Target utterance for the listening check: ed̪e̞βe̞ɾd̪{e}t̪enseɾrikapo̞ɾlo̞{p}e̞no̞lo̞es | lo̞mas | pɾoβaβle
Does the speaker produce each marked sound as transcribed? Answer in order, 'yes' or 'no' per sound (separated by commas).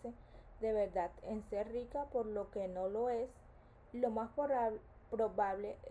no, no